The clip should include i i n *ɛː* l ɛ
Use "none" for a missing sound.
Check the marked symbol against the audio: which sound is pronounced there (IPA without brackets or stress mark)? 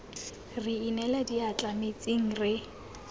ɛ